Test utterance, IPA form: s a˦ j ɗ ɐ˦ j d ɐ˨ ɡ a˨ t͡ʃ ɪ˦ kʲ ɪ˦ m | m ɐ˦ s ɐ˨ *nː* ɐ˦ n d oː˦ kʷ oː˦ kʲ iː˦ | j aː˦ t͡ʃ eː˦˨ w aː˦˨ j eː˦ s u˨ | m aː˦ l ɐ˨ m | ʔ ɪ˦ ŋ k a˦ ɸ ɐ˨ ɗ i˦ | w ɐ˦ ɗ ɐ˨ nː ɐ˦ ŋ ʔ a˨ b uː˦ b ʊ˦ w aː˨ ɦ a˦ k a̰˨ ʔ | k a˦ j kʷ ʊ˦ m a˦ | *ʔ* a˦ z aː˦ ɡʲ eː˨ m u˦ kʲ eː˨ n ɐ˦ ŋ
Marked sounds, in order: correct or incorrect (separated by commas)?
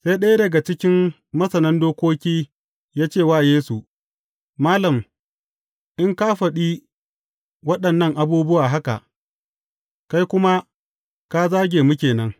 incorrect, incorrect